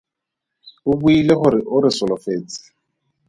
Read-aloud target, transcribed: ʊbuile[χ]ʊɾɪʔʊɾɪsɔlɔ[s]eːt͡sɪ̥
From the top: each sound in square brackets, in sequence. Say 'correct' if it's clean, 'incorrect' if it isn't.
correct, incorrect: f

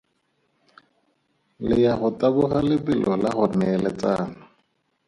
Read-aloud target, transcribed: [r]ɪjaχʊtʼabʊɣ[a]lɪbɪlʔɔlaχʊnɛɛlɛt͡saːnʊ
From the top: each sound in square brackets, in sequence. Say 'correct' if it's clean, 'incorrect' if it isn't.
incorrect: l, correct

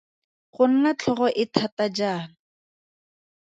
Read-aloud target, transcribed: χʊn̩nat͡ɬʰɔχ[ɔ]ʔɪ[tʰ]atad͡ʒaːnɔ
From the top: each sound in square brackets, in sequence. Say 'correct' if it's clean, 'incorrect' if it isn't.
correct, correct

